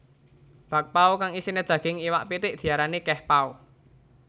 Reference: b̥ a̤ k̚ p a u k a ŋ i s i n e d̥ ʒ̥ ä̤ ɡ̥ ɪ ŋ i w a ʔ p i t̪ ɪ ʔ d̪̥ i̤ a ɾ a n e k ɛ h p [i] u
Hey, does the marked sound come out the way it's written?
no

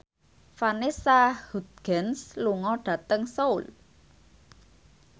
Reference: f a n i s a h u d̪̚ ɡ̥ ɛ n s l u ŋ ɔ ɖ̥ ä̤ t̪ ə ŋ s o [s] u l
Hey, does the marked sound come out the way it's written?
no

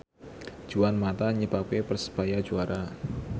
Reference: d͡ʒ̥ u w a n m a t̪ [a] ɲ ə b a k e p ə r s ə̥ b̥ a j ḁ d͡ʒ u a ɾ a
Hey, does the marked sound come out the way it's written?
yes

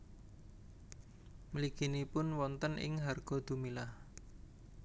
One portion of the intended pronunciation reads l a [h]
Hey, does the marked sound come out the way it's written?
yes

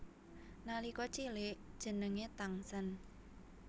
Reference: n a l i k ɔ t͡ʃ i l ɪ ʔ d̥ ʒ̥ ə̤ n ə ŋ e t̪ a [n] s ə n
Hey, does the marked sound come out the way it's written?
no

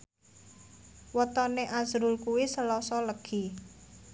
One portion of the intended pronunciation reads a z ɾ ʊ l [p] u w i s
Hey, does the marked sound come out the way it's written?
no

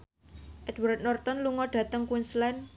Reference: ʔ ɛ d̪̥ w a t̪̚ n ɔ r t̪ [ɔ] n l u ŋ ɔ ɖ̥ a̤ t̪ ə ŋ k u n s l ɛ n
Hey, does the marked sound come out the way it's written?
yes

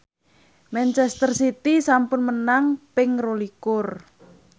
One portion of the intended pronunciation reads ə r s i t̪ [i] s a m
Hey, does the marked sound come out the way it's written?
yes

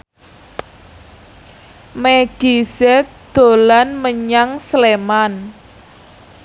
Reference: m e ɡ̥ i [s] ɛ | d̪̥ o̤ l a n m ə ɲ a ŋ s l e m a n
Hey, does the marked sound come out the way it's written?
yes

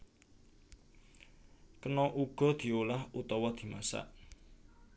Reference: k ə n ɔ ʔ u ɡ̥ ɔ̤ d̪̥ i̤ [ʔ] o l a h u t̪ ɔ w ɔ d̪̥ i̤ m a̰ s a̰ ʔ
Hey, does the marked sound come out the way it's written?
no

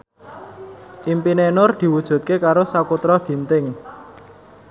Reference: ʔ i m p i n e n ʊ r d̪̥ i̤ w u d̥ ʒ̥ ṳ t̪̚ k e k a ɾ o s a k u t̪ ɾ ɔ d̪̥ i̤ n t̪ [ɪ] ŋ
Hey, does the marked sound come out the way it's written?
yes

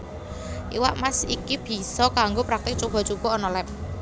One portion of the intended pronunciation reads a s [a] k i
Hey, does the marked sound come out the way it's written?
no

